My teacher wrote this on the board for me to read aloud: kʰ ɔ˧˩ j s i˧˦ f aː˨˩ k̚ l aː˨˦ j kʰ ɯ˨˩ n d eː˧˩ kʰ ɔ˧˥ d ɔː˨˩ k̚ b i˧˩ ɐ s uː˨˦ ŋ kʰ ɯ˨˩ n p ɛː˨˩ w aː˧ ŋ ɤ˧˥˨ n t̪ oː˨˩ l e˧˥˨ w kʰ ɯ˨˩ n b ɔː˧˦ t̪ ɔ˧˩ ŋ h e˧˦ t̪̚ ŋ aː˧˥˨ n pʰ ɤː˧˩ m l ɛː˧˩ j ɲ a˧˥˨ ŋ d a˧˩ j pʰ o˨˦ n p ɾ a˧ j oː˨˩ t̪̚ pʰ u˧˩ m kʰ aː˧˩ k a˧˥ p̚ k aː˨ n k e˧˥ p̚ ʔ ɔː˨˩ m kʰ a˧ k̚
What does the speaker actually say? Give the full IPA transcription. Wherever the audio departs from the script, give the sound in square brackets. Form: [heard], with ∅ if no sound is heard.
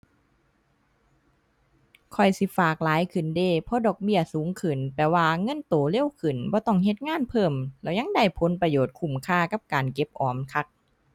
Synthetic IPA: kʰ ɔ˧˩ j s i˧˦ f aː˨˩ k̚ l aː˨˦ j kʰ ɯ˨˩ n d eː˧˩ [pʰ] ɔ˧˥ d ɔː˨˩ k̚ b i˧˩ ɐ s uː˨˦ ŋ kʰ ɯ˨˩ n p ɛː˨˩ w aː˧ ŋ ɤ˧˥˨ n t̪ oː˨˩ l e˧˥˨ w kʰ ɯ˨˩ n b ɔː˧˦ t̪ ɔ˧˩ ŋ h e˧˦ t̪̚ ŋ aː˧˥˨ n pʰ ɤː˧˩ m l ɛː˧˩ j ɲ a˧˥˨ ŋ d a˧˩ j pʰ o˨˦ n p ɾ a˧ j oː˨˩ t̪̚ [kʰ] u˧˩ m kʰ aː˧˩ k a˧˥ p̚ k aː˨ n k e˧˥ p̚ ʔ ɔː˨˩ m kʰ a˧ k̚

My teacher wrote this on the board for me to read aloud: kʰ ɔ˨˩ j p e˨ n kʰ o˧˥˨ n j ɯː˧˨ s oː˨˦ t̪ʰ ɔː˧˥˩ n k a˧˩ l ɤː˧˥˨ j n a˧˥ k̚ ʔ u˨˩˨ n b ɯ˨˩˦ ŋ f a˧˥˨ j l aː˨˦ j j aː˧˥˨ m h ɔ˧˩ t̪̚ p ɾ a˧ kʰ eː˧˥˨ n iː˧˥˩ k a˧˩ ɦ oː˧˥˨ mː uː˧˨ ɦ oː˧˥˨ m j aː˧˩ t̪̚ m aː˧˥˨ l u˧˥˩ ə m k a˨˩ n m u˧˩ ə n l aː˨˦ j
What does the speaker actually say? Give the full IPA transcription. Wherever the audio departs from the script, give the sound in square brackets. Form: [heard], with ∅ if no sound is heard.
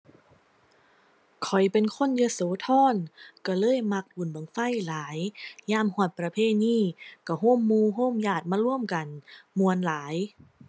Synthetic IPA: kʰ ɔ˨˩ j p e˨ n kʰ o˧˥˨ n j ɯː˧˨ s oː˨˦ t̪ʰ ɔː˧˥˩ n k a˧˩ l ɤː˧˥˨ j [m] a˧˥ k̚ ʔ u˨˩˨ n b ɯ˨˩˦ ŋ f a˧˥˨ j l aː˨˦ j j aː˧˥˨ m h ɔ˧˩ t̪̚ p ɾ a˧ [pʰ] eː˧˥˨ n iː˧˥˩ k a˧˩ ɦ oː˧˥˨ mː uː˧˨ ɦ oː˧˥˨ m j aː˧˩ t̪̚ m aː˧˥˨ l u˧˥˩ ə m k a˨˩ n m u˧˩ ə n l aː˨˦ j

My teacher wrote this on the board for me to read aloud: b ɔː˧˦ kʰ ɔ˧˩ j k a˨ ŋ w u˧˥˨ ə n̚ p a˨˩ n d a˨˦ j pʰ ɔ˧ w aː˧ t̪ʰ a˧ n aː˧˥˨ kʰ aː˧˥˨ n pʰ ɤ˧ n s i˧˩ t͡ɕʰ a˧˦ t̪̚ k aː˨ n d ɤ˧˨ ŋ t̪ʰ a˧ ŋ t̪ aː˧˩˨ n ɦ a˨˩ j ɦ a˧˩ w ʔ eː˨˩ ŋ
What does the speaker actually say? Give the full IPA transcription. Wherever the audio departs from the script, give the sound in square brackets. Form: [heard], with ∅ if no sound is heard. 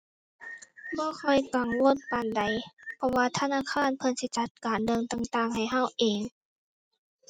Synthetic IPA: b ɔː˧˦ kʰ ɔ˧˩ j k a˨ ŋ w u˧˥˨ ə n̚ p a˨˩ n d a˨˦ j pʰ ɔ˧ w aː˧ t̪ʰ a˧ n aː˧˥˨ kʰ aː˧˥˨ n pʰ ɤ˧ n s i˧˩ [t͡ɕ] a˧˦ t̪̚ k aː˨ n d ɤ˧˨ ŋ [t̪] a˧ ŋ t̪ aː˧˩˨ [ŋ] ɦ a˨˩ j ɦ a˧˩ w ʔ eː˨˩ ŋ

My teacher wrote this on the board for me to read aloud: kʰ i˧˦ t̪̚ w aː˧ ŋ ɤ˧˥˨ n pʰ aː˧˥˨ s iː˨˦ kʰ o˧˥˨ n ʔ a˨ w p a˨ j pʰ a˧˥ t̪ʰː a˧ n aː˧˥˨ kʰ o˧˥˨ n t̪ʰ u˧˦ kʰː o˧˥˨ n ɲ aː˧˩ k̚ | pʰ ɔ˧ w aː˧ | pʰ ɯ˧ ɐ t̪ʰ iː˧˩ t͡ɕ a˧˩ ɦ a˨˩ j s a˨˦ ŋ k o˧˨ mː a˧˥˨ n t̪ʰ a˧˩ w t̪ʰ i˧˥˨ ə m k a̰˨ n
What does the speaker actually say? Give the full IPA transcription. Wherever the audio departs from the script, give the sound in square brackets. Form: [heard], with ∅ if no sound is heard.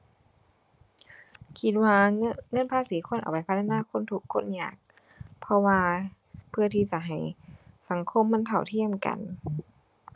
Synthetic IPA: kʰ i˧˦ t̪̚ w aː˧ ŋ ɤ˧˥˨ n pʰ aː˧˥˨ s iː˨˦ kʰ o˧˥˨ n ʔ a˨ w p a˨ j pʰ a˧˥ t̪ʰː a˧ n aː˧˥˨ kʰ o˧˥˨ n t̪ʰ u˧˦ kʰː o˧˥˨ n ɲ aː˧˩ k̚ | pʰ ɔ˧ w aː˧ | pʰ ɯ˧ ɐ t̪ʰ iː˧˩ t͡ɕ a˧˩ ɦ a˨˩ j s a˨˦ ŋ [kʰ] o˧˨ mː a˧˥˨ n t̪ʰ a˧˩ w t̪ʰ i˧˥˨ ə m k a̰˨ n

